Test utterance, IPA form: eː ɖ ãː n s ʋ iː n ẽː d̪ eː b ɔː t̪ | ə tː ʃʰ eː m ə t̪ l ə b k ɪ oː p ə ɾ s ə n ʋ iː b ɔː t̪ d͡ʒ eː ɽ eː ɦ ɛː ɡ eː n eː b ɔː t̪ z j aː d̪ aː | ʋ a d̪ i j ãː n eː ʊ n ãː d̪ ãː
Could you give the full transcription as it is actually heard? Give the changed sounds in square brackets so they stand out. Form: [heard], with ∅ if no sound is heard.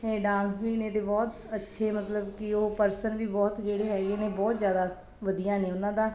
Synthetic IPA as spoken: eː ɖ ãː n s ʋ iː n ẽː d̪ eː b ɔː t̪ | ə tː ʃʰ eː m ə t̪ l ə b k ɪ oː p ə ɾ s ə n ʋ iː b ɔː t̪ d͡ʒ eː ɽ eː ɦ ɛː ɡ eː n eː b ɔː t̪ z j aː d̪ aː | ʋ [ə] d̪ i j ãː n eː ʊ n ãː d̪ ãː

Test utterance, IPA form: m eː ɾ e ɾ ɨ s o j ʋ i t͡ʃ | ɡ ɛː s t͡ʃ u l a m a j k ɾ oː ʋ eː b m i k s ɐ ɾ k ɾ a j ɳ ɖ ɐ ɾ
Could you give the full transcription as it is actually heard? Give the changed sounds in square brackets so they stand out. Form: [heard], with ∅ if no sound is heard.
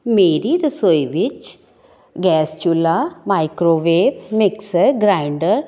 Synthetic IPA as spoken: m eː ɾ [i] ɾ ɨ s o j ʋ i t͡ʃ | ɡ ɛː s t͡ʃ u l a m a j k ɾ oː ʋ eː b m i k s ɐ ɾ [ɡ] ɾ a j ɳ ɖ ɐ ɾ

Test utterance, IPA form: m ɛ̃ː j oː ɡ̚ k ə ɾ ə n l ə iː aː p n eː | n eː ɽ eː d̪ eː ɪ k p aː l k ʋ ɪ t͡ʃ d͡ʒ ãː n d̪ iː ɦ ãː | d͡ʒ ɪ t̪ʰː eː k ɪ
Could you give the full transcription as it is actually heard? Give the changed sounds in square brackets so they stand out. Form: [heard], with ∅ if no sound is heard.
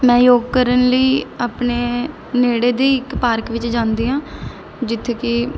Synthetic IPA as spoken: m ɛ̃ː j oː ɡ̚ k ə ɾ ə n l ə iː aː p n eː | n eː ɽ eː d̪ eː ɪ k p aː [ɾ] k ʋ ɪ t͡ʃ d͡ʒ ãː n d̪ iː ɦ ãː | d͡ʒ ɪ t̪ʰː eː k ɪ

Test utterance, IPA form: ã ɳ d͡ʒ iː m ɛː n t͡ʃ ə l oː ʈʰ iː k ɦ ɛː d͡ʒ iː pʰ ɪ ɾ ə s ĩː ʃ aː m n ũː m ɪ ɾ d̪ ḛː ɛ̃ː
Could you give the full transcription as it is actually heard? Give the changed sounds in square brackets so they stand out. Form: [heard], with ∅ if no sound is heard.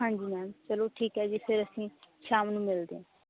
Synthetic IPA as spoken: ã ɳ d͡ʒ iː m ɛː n t͡ʃ ə l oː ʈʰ iː k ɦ ɛː d͡ʒ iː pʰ ɪ ɾ ə s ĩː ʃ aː m n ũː m ɪ [l] d̪ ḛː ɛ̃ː

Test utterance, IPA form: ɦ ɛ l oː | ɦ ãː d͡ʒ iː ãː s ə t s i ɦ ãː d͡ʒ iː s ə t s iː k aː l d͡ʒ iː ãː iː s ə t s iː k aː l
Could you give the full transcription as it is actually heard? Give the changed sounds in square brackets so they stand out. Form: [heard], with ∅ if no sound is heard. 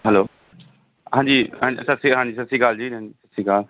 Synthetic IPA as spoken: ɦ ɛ l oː | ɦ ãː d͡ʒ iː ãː s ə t s i ɦ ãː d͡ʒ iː s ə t s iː k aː l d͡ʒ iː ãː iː s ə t s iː k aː l

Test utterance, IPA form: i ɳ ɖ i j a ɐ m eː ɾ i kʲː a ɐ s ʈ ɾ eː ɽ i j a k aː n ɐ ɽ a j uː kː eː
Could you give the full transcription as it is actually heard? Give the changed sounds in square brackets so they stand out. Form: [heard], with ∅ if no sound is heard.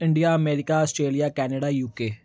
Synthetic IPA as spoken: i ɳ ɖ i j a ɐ m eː ɾ i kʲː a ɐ s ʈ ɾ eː [l] i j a k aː n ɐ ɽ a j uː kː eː

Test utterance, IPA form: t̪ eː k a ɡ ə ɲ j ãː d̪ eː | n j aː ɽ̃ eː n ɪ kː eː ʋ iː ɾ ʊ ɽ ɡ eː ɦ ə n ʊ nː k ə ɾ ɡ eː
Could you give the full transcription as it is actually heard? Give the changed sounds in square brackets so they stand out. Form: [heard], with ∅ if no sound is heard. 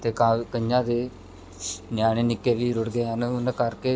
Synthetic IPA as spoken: t̪ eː k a [k] ə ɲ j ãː d̪ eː | n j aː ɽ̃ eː n ɪ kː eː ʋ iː ɾ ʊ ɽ ɡ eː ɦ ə n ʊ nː k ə ɾ [k] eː

